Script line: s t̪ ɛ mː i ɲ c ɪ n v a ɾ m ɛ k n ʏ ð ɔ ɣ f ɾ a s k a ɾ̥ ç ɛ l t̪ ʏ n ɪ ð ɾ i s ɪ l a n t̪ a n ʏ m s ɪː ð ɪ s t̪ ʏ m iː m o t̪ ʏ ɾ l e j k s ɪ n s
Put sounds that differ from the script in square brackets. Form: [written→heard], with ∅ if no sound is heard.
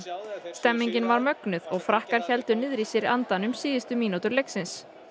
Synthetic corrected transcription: s t̪ ɛ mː i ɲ c ɪ n v a ɾ m [ɛ→œ] k n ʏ ð ɔ ɣ f ɾ a [s→h] k a ɾ̥ ç ɛ l t̪ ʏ n ɪ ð ɾ i s ɪ [l→ɾ] a n t̪ a n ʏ m s [ɪː→iː] ð ɪ s t̪ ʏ m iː [m→n] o t̪ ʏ ɾ l e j k s ɪ n s